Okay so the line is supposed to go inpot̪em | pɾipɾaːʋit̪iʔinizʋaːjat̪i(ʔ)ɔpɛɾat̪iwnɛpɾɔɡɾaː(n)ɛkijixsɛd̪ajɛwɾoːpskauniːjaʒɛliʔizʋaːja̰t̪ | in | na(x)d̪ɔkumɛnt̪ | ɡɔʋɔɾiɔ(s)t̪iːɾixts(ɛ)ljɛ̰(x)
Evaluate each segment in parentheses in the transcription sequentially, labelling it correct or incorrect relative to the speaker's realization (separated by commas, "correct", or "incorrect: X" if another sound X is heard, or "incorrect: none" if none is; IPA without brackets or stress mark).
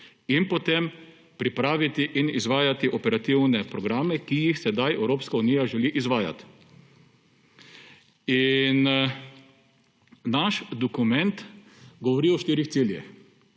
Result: correct, incorrect: m, incorrect: ʃ, incorrect: ʃ, incorrect: i, correct